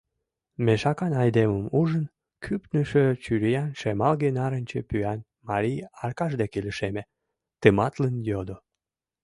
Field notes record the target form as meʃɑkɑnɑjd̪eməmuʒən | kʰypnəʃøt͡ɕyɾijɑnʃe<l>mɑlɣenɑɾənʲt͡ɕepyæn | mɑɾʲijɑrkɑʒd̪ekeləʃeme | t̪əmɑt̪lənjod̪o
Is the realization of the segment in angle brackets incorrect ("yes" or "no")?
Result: yes